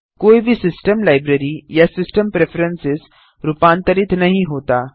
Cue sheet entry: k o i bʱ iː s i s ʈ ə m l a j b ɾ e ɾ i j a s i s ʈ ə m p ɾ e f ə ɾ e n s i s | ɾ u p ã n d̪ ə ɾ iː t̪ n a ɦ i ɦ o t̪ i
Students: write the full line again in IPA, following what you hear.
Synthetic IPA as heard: k o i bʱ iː s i s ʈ ə m l a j b ɾ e ɾ i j a s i s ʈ ə m p ɾ e f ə ɾ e n s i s | ɾ u p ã n t̪ ə ɾ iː t̪ n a ɦ i ɦ o t̪ a